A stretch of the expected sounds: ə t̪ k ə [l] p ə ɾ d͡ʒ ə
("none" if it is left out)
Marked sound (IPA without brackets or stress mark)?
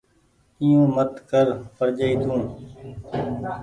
ɾ